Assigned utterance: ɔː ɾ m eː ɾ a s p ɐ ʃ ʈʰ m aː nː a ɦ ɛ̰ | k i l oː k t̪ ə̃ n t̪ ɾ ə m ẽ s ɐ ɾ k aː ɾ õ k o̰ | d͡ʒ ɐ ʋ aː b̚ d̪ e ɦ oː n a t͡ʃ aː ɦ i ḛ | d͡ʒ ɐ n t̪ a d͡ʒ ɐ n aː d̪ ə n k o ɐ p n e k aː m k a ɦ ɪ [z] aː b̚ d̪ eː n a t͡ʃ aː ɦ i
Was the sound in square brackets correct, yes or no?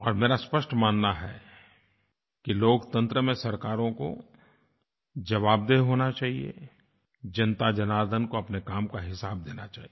no